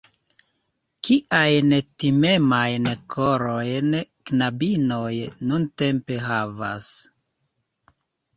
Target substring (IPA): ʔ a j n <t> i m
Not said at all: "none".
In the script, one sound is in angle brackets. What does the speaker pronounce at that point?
t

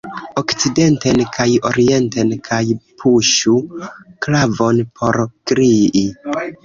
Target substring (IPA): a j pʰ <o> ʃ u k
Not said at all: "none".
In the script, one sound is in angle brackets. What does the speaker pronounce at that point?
u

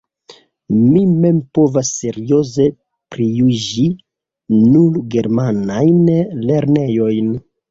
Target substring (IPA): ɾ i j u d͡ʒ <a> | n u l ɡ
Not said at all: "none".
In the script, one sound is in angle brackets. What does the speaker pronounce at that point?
i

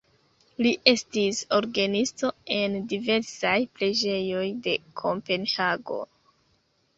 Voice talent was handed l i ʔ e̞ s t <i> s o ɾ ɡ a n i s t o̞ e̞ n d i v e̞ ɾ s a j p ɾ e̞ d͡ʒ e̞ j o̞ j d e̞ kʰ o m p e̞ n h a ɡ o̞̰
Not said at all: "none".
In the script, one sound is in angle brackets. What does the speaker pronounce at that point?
i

